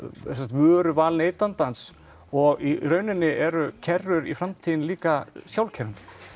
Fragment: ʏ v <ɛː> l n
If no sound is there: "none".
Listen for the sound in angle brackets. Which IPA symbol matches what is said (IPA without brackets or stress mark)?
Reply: aː